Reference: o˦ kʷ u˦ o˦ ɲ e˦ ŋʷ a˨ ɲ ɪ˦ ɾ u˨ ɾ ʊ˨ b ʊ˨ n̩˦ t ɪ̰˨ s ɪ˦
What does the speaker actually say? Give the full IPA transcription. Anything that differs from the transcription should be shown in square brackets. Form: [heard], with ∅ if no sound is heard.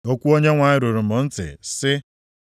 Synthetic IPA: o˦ kʷ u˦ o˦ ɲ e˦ ŋʷ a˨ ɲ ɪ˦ ɾ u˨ ɾ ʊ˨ [m] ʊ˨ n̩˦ t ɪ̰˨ s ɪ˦